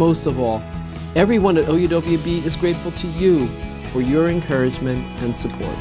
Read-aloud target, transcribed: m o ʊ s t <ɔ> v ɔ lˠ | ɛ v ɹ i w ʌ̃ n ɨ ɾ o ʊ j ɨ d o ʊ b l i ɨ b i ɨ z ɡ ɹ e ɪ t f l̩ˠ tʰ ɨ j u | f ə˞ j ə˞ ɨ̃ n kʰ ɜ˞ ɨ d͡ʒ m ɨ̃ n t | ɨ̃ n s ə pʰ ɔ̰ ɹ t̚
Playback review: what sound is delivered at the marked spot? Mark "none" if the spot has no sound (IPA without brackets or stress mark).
ʌ